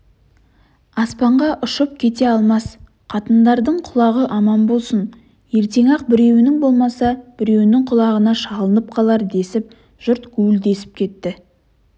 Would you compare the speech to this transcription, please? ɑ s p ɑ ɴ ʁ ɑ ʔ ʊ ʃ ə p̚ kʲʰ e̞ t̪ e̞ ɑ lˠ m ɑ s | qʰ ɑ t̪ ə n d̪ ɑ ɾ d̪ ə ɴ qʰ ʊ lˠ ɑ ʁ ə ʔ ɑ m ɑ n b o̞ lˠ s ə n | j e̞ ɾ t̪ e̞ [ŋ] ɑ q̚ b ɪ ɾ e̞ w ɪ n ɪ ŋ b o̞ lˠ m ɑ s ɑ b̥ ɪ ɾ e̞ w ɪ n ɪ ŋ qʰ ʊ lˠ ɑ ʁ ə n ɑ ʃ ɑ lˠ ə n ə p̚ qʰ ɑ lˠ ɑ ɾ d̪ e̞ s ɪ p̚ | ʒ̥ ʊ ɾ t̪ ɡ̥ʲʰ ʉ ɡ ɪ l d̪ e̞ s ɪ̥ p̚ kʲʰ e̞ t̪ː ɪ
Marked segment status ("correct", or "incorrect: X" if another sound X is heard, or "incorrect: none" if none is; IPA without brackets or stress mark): correct